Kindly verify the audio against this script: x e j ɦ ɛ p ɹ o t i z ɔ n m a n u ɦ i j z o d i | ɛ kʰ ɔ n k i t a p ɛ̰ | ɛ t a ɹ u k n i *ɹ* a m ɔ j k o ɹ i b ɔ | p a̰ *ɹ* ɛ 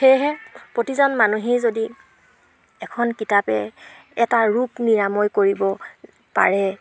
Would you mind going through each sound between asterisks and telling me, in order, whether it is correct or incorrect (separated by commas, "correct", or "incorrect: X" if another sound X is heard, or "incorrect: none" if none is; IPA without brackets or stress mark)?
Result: correct, correct